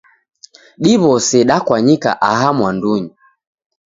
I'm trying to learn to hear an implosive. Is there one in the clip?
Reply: yes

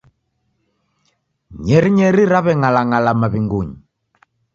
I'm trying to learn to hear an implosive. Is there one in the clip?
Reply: no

